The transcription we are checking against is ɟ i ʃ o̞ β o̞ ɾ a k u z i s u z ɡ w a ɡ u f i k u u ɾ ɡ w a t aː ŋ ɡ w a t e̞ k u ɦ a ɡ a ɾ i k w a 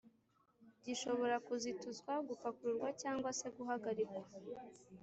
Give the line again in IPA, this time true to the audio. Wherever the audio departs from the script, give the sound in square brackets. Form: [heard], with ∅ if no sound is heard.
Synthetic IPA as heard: ɟ i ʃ o̞ β o̞ ɾ a k u z i [t] u z ɡ w a ɡ u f [a] k u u ɾ ɡ w a [c] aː ŋ ɡ w a [s] e̞ [ɡ] u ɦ a ɡ a ɾ i k w a